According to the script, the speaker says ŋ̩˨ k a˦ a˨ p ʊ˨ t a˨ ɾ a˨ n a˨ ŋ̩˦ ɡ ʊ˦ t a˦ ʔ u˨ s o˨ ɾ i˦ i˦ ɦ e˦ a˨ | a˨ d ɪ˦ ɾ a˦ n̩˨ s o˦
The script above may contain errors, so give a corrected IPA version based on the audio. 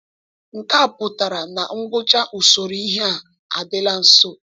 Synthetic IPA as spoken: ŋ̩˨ k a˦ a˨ p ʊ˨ t a˨ ɾ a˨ n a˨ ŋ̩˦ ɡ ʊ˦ t͡ʃ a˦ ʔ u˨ s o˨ ɾ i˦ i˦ ɦ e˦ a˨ | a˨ d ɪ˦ l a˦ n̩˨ s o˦